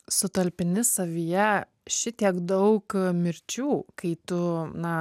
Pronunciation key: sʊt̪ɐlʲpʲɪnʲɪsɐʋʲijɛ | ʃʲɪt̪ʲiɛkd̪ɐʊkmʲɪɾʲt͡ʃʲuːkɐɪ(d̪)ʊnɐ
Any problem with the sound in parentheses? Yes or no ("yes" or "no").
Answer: yes